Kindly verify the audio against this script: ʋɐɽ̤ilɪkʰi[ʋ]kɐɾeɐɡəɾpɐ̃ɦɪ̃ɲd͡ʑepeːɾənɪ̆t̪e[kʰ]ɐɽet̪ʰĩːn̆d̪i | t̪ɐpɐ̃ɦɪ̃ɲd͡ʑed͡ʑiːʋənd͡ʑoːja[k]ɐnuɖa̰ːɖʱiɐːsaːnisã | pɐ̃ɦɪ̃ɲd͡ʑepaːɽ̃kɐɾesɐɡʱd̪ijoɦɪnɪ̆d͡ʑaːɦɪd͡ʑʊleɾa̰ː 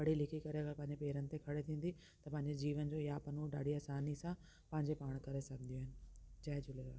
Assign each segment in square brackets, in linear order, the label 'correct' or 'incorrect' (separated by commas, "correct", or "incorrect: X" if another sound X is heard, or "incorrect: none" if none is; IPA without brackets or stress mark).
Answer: incorrect: none, correct, incorrect: p